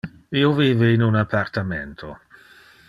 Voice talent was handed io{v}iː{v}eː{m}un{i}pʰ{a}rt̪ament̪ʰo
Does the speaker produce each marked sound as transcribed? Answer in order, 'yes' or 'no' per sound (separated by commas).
yes, yes, no, no, yes